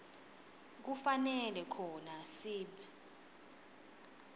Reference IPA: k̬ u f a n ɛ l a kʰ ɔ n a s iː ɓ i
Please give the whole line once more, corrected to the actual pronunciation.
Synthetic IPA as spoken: k̬ u f a n ɛ l ɛ kʰ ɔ n a s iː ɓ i